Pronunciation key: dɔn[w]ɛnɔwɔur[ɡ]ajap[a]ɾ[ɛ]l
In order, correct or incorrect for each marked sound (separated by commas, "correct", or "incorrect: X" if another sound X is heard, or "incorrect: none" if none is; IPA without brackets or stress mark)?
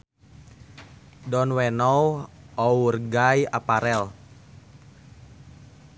correct, correct, correct, correct